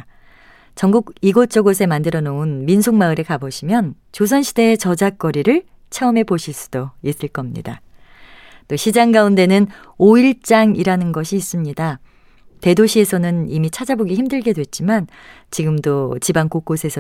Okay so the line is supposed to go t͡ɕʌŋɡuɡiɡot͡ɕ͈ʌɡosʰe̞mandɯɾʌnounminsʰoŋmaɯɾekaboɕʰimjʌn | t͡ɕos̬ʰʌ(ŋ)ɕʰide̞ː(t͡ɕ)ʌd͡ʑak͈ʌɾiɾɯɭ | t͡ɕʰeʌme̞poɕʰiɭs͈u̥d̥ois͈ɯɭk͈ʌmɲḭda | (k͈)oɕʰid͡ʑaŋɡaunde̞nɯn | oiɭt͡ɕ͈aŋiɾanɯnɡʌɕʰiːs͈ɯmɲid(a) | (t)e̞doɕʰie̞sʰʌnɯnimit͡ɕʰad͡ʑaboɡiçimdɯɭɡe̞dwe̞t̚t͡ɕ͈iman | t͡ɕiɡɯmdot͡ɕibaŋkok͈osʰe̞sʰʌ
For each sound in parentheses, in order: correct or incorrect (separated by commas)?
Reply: incorrect, correct, incorrect, correct, correct